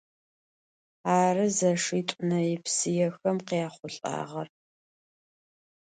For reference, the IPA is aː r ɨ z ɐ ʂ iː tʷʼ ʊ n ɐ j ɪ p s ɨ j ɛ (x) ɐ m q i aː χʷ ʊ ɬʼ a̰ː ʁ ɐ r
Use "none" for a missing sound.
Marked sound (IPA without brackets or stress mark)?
x